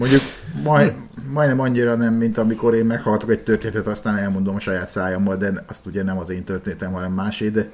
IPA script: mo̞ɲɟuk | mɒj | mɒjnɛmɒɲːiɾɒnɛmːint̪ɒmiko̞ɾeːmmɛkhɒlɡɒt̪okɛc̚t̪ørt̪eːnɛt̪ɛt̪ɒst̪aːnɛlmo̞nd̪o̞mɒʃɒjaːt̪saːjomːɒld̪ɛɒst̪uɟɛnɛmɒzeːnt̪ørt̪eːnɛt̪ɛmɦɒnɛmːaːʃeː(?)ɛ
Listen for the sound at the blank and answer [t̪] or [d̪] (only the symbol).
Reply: d̪